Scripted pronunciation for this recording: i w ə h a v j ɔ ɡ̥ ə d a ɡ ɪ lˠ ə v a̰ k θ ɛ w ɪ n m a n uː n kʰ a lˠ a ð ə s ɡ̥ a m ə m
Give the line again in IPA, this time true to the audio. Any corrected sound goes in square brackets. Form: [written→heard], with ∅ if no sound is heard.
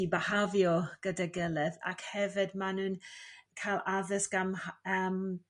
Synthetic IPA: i [w→b] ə h a v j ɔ ɡ̥ ə d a ɡ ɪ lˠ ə [v→ð] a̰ k [θ→h] ɛ [w→v] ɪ [n→d] m a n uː n kʰ a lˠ a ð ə s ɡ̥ a m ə m